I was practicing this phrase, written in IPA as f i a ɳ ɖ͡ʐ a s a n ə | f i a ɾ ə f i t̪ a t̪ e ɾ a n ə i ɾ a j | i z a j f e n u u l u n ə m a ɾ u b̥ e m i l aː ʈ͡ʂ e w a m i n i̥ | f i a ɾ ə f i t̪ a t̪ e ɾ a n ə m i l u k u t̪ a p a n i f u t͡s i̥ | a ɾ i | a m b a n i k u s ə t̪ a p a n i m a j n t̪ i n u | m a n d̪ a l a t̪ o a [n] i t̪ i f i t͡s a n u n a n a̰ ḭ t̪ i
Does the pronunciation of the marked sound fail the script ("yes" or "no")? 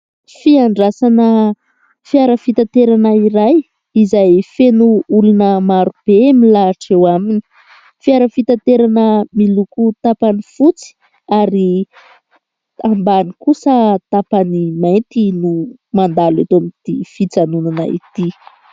yes